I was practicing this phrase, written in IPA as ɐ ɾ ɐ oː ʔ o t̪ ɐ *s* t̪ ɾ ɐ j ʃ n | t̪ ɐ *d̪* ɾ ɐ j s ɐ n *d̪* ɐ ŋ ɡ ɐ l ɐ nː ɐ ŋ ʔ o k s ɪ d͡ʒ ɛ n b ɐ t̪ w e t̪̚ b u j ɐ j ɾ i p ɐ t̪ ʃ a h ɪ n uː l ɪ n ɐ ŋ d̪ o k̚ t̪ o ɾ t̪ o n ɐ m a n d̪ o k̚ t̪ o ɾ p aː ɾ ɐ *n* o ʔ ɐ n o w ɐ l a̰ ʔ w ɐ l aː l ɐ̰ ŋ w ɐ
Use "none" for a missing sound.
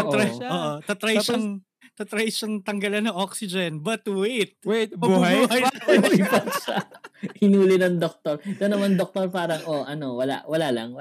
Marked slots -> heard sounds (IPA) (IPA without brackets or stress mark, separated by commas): none, t̪, t̪, ŋ